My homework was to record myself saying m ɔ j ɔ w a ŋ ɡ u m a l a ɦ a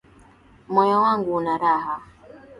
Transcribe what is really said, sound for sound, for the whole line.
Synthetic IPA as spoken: m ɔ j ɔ w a ŋ ɡ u n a ɾ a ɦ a